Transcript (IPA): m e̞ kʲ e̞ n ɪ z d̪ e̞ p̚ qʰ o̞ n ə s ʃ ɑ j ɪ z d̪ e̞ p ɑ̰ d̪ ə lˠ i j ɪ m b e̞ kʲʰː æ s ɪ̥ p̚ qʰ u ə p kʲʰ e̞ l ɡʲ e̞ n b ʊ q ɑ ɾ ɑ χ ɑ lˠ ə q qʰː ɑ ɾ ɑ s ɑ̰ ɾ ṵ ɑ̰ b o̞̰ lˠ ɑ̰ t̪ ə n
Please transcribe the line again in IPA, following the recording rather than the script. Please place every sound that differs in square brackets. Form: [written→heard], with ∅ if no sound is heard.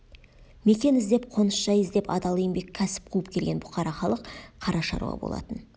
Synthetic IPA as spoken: m e̞ kʲ e̞ n ɪ z d̪ e̞ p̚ qʰ o̞ n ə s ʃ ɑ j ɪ z d̪ e̞ p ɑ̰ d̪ [ə→ɑ] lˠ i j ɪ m b e̞ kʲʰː æ s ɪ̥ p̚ qʰ u ə p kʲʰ e̞ l ɡʲ e̞ n b ʊ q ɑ ɾ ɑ χ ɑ lˠ ə q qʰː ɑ ɾ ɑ [s→ʃ] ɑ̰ ɾ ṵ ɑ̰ b o̞̰ lˠ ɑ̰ t̪ ə n